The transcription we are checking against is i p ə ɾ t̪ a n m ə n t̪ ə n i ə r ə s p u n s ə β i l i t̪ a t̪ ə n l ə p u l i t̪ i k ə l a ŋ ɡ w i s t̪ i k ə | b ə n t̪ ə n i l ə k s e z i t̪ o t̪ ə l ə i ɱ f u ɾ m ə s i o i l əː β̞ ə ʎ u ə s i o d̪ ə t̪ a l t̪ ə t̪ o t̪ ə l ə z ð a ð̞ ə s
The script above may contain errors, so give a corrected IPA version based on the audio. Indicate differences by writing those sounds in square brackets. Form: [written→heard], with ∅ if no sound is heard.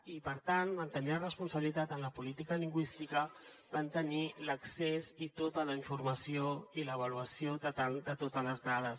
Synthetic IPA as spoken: i p ə ɾ t̪ a n m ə n t̪ ə n i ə r ə s p u n s ə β i l i t̪ a t̪ ə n l ə p u l i t̪ i k ə l [a→i] ŋ ɡ w i s t̪ i k ə | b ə n t̪ ə n i l ə k s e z i t̪ o t̪ ə l ə i ɱ f u ɾ m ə s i o i l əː β̞ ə [ʎ→l] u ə s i o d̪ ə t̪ a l [t̪→d̪] ə t̪ o t̪ ə l ə z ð a ð̞ ə s

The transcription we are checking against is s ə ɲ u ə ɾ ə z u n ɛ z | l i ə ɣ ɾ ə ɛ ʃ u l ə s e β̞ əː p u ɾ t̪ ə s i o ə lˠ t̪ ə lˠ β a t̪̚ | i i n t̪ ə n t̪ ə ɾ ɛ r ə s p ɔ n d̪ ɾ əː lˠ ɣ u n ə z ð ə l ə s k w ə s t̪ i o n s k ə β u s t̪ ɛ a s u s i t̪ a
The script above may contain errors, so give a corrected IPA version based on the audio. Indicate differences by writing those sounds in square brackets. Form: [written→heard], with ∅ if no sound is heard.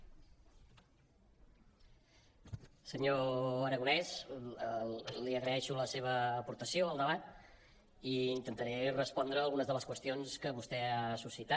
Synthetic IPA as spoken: s ə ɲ [u→o] ə ɾ ə [z→ɣ] u n ɛ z | l i ə ɣ ɾ ə ɛ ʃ u l ə s e β̞ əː p u ɾ t̪ ə s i o ə lˠ [t̪→d̪] ə [lˠ→∅] β a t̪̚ | i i n t̪ ə n t̪ ə ɾ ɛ r ə s p ɔ n d̪ ɾ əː lˠ ɣ u n ə z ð ə l ə s k w ə s t̪ i o n s k ə β u s t̪ ɛ a s u s i t̪ a

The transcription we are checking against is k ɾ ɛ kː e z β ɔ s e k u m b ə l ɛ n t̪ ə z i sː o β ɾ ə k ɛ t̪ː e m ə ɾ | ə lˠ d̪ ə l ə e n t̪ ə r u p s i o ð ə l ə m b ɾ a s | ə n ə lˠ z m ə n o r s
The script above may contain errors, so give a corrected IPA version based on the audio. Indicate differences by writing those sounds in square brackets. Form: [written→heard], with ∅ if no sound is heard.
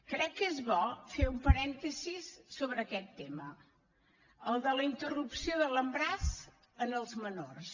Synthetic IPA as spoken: k ɾ ɛ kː e z β ɔ [s→f] e [k→∅] u m [b→p] ə [l→ɾ] ɛ n t̪ ə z i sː o β ɾ ə k ɛ t̪ː e m ə [ɾ→∅] | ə lˠ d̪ ə l ə [e→i] n t̪ ə r u p s i o ð ə l ə m b ɾ a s | ə n ə lˠ z m ə n o r s

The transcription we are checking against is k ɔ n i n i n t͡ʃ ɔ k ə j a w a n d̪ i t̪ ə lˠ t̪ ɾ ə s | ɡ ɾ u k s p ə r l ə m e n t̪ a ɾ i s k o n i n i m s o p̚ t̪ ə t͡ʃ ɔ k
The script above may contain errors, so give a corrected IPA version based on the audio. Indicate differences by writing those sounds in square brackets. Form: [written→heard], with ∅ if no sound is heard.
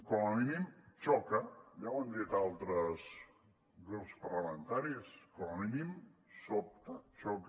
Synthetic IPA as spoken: k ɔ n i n i [n→m] t͡ʃ ɔ k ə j a w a n d̪ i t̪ [ə→a] lˠ t̪ ɾ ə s | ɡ ɾ u [k→p] s p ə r l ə m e n t̪ a ɾ i s k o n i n i m s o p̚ t̪ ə t͡ʃ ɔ k

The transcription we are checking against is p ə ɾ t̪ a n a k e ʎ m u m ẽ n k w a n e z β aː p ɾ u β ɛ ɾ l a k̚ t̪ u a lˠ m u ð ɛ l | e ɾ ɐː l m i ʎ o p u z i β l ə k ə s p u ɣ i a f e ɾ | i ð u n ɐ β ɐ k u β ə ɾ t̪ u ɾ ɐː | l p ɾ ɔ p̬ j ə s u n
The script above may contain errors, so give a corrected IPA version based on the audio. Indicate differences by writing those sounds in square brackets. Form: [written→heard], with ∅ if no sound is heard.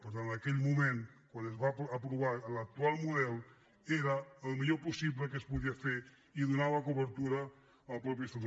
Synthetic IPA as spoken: p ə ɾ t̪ a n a k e ʎ m u m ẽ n k w a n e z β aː p ɾ u β [ɛ→a] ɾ l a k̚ t̪ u a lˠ m u ð ɛ l | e ɾ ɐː l m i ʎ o p u [z→s] i β l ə k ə s p u [ɣ→ð] i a f e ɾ | i ð u n [ɐ→a] β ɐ k u β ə ɾ t̪ u ɾ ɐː | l p ɾ ɔ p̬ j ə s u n

